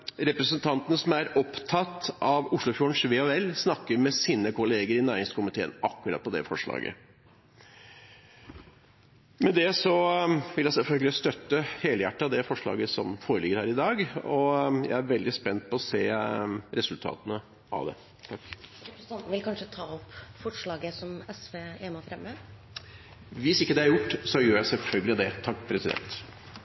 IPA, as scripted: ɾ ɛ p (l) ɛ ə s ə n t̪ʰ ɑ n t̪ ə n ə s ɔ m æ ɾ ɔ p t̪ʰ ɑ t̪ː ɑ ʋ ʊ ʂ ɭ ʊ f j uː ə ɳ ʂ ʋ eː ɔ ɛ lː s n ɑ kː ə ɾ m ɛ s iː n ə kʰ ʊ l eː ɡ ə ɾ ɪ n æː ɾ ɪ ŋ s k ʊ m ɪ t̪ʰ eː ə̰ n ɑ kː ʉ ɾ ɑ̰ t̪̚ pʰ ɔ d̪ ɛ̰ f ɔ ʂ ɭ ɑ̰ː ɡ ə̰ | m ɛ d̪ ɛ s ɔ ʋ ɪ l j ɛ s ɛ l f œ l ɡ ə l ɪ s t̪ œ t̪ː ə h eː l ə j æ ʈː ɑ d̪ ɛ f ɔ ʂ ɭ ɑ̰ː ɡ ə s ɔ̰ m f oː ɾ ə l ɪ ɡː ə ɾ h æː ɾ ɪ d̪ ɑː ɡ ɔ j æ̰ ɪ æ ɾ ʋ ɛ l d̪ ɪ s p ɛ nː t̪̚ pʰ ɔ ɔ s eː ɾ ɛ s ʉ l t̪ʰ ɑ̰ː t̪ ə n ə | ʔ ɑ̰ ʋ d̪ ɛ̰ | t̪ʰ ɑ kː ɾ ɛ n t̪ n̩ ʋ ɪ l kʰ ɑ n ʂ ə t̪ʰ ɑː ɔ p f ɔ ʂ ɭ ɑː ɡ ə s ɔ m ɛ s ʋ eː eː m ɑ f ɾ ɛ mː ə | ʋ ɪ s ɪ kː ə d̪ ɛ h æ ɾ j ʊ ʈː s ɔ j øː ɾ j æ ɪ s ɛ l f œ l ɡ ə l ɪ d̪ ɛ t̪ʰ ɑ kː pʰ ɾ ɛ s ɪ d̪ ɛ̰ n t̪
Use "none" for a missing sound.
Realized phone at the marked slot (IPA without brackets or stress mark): ɾ